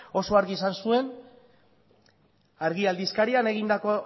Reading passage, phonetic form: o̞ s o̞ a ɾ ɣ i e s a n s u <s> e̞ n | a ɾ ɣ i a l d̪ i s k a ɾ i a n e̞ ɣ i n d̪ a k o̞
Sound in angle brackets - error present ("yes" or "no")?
yes